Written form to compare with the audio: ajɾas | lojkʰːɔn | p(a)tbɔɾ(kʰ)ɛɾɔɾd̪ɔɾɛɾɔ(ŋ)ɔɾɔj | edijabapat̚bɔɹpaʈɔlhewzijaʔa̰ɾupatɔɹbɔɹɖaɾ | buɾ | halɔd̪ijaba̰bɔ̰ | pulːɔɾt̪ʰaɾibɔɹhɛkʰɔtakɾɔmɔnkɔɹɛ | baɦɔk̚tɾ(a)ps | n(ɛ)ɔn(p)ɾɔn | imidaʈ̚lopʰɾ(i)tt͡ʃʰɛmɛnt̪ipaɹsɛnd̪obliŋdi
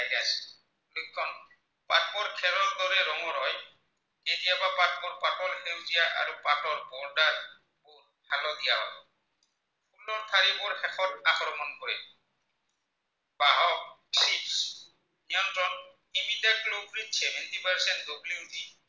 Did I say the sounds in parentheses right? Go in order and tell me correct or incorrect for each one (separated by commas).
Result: correct, correct, correct, incorrect, incorrect, incorrect, correct